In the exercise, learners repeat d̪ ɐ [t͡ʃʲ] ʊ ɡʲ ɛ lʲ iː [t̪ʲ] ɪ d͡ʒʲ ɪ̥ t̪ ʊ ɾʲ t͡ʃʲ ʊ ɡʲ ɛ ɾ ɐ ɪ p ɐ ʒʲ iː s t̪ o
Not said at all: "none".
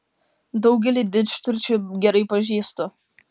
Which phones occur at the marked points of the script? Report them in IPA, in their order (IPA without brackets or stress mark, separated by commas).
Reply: none, d̪ʲ